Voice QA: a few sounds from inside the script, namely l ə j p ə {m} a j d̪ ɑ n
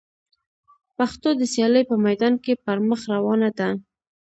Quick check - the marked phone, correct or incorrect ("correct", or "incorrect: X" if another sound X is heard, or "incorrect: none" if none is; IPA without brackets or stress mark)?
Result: correct